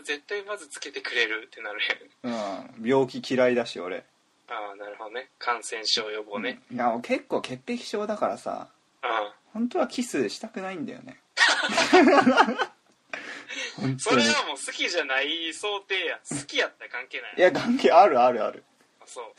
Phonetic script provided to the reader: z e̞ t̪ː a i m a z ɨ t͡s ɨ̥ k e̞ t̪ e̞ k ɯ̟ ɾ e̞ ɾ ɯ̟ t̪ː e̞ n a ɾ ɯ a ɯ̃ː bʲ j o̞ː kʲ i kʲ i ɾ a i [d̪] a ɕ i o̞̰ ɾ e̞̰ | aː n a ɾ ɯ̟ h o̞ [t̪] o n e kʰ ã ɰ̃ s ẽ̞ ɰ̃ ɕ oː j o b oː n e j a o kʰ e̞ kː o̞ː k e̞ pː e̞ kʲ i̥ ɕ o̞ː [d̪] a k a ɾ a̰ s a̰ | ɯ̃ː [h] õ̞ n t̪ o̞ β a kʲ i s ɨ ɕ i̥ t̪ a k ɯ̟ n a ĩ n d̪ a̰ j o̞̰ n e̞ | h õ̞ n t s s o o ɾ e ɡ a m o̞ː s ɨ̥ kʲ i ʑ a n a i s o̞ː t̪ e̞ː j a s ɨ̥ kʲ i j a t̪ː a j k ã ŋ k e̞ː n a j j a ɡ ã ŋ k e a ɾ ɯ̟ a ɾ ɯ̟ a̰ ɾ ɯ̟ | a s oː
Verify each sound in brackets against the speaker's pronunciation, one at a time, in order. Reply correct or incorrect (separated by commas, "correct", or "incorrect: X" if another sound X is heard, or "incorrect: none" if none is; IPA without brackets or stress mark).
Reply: correct, incorrect: d̪, correct, correct